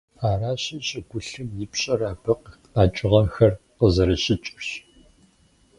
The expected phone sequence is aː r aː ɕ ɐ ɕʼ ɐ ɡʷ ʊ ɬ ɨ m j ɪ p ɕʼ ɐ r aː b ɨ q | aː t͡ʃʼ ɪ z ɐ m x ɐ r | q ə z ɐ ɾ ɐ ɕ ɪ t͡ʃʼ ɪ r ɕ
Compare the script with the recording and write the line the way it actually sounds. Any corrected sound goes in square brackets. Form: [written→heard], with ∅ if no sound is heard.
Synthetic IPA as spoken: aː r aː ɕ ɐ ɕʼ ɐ ɡʷ ʊ ɬ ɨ m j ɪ p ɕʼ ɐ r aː b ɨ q | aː t͡ʃʼ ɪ [z→ʁ] ɐ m x ɐ r | q ə z ɐ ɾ ɐ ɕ ɪ t͡ʃʼ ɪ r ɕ